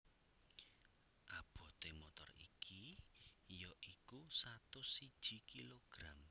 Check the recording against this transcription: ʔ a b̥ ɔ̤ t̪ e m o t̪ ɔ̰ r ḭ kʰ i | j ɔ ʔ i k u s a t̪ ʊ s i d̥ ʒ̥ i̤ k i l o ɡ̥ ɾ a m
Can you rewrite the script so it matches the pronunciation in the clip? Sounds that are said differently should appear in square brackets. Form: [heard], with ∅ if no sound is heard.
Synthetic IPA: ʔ a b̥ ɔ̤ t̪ e m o t̪ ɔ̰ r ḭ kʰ i | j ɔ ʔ i k u s a t̪ ʊ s i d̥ ʒ̥ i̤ k i l o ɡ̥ ɾ a m